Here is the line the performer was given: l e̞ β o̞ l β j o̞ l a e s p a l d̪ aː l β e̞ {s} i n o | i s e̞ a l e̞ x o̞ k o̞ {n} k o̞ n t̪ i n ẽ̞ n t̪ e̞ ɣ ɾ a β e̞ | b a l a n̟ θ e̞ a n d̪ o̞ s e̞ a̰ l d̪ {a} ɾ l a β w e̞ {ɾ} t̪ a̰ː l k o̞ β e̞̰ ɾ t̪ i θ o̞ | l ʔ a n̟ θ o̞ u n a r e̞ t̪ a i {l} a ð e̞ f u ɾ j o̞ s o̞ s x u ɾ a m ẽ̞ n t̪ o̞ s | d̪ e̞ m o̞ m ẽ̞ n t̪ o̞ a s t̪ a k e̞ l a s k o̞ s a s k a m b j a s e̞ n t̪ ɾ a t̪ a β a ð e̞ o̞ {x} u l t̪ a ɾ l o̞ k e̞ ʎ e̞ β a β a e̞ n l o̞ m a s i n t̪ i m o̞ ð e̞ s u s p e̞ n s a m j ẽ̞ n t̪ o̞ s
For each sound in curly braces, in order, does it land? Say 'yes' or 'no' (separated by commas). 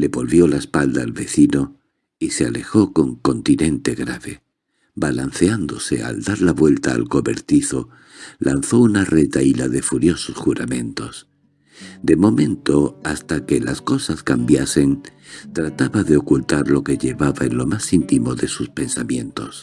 no, no, yes, no, yes, no